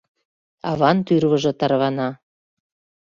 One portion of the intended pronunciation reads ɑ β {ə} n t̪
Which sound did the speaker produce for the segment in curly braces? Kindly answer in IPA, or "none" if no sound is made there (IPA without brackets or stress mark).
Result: ɑ